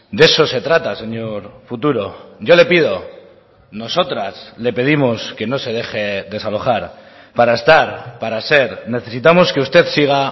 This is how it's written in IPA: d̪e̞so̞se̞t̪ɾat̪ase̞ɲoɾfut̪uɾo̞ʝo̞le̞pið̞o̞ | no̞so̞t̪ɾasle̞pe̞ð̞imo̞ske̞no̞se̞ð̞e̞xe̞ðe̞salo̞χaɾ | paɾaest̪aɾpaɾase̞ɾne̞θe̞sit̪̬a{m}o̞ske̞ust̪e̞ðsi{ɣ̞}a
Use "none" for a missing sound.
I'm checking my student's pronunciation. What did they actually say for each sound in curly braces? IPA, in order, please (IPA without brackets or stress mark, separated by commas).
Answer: m, ɣ̞